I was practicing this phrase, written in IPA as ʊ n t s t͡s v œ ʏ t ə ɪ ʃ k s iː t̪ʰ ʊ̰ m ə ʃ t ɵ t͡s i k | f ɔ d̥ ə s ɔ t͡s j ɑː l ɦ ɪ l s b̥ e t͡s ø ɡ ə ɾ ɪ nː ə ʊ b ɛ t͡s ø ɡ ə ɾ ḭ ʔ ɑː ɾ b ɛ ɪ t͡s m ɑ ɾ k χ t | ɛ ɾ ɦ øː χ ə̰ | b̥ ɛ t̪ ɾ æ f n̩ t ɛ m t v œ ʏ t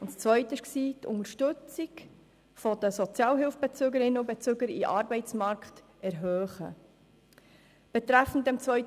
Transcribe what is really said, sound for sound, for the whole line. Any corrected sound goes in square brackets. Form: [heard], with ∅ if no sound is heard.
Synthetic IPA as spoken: ʊ n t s t͡s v œ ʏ t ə ɪ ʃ k s iː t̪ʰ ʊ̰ [ŋ] ə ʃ t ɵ t͡s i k | f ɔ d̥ ə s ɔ t͡s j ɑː l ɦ ɪ l [f] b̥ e t͡s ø ɡ ə ɾ ɪ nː ə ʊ b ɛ t͡s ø ɡ ə ɾ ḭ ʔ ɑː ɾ b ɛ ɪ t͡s m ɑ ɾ k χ t | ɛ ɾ ɦ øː χ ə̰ | b̥ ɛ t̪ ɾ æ f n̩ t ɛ m [t͡s] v œ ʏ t